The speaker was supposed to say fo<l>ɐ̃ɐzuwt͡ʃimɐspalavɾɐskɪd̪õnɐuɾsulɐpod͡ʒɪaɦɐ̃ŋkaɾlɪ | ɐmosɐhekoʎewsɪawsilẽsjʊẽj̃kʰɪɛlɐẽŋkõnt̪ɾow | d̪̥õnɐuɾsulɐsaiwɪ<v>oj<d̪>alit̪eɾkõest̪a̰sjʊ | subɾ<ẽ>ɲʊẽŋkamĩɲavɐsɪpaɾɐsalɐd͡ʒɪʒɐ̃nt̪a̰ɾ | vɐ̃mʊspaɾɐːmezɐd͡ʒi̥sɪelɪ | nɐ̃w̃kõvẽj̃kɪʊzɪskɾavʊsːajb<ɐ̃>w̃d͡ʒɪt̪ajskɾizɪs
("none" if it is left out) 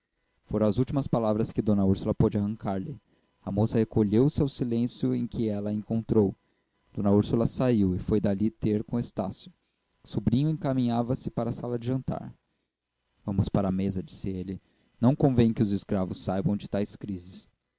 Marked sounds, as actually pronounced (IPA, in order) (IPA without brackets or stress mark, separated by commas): ɾ, f, d̪, ĩ, ɐ̃